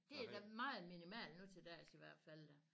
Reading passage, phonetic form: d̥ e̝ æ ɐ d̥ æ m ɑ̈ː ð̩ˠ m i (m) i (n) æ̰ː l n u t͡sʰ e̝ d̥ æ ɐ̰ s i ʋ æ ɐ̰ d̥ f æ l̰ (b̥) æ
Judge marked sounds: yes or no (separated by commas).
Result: no, no, no